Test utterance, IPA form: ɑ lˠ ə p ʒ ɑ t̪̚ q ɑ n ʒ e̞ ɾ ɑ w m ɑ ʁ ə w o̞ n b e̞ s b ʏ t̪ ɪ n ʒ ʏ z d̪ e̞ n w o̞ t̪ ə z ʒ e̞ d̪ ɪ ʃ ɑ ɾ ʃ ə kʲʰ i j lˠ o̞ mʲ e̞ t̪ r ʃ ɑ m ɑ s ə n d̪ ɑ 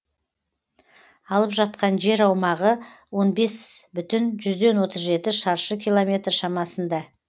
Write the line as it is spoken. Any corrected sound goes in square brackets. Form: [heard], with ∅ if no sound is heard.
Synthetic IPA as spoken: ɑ lˠ ə p ʒ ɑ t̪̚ q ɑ n ʒ e̞ ɾ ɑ w m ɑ ʁ ə w o̞ n b e̞ s b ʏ t̪ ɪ n ʒ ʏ z d̪ e̞ n w o̞ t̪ ə z ʒ e̞ [t̪] ɪ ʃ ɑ ɾ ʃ ə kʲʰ i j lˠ o̞ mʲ e̞ t̪ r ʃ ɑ m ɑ s ə n d̪ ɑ